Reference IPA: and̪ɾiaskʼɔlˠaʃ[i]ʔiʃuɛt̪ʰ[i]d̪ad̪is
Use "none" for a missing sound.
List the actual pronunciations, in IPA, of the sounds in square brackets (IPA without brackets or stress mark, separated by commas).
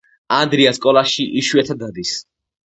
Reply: i, a